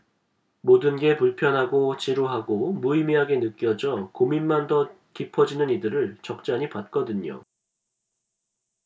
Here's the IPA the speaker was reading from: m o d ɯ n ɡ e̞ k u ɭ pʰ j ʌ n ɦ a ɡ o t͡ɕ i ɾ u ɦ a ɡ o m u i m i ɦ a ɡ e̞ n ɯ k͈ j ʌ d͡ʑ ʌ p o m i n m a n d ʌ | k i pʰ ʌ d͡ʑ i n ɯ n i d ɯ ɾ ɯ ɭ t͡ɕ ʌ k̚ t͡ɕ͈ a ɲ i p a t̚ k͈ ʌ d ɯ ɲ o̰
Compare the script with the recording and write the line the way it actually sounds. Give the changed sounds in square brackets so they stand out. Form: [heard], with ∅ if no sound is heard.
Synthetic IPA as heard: m o d ɯ n ɡ e̞ [p] u ɭ pʰ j ʌ n ɦ a ɡ o t͡ɕ i ɾ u ɦ a ɡ o m u i m i ɦ a ɡ e̞ n ɯ k͈ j ʌ d͡ʑ ʌ [k] o m i n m a n d ʌ | k i pʰ ʌ d͡ʑ i n ɯ n i d ɯ ɾ ɯ ɭ t͡ɕ ʌ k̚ t͡ɕ͈ a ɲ i p a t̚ k͈ ʌ d ɯ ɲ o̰